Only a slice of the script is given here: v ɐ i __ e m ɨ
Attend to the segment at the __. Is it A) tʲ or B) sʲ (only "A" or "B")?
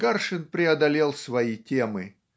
A